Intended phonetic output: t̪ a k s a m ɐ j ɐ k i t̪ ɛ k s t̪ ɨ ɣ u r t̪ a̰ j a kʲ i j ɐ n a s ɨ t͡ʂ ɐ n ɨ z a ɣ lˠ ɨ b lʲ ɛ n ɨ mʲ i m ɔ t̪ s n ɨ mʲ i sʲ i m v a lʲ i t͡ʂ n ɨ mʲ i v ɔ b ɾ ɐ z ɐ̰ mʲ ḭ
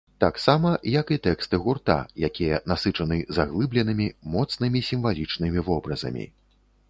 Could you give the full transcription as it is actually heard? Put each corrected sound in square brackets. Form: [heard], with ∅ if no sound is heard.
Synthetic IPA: t̪ a k s a m ɐ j ɐ k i t̪ ɛ k s t̪ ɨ ɣ u r t̪ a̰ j a kʲ i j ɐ n a s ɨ t͡ʂ ɐ n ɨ z a ɣ lˠ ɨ b lʲ ɛ n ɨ mʲ i m ɔ t̪ s n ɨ mʲ i sʲ i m v a lʲ i t͡ʂ n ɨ mʲ i v ɔ b ɾ ɐ z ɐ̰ mʲ ḭ